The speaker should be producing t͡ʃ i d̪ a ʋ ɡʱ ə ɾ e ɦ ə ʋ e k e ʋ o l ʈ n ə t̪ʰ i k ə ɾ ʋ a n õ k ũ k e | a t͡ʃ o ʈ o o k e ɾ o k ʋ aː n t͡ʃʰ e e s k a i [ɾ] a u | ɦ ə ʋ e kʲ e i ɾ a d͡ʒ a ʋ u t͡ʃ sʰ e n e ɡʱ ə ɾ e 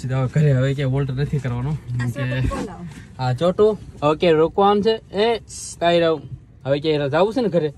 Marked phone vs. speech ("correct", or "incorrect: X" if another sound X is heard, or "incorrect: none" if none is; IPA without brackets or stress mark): correct